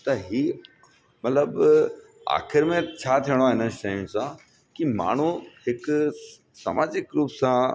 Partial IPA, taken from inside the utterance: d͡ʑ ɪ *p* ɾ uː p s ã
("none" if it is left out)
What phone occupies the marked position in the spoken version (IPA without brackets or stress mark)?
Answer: k